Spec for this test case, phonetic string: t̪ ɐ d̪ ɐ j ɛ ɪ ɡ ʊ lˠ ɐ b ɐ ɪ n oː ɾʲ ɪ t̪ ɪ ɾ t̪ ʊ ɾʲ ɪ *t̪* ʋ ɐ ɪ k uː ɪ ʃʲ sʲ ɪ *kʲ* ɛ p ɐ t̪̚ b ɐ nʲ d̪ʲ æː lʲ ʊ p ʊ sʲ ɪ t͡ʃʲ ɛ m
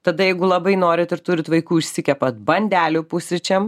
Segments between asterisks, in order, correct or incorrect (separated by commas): correct, correct